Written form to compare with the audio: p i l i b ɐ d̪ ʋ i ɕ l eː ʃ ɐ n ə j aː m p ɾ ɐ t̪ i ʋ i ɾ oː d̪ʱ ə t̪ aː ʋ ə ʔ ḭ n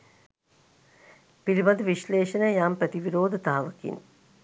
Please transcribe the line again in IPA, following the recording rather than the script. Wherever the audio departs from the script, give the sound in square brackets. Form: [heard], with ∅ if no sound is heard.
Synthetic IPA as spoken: p i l i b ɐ d̪ ʋ i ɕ l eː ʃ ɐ n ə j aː m p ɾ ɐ t̪ i ʋ i ɾ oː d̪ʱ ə t̪ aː ʋ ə [k] ḭ n